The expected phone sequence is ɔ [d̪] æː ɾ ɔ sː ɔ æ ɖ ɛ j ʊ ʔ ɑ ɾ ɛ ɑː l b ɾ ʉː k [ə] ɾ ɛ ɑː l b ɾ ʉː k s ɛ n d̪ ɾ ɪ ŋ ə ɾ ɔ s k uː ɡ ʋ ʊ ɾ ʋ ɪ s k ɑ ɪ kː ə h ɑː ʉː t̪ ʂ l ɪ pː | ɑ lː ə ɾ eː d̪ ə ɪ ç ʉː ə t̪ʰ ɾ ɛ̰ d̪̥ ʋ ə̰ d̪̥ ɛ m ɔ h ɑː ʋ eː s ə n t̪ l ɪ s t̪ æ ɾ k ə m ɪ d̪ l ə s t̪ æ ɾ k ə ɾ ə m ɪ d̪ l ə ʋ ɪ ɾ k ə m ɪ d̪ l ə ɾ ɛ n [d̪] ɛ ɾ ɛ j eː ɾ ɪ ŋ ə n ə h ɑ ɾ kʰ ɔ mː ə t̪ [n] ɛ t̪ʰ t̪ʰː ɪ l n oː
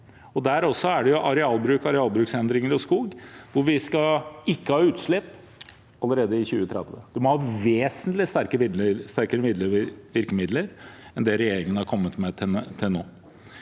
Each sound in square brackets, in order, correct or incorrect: correct, incorrect, correct, incorrect

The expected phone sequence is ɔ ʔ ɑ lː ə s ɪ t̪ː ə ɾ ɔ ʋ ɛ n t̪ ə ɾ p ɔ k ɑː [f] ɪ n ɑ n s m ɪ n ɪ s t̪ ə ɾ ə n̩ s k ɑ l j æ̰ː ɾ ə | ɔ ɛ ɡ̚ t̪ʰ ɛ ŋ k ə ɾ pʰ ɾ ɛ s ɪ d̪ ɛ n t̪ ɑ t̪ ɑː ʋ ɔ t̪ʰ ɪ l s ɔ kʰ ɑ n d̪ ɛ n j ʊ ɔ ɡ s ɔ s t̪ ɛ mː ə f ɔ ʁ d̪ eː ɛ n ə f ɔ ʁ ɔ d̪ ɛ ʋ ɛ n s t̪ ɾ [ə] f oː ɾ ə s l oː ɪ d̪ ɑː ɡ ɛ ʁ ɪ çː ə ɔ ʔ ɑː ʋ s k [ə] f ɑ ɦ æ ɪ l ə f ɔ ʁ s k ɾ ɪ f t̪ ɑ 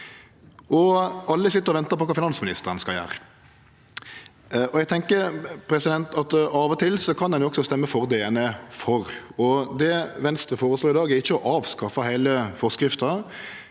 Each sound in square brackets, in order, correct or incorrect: correct, correct, incorrect

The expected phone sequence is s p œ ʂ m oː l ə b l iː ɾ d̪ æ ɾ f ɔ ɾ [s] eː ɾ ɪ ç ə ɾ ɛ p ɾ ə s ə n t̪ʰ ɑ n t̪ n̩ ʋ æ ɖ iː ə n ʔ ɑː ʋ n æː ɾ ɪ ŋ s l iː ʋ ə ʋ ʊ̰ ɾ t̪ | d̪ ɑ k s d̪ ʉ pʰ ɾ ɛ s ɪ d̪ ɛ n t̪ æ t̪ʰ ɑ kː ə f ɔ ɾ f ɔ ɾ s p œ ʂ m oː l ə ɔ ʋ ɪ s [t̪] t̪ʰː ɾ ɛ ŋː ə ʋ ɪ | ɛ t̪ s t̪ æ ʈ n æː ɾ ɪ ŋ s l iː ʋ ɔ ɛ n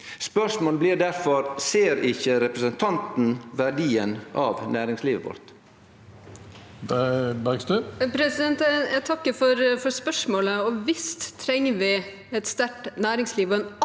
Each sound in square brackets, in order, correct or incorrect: correct, correct

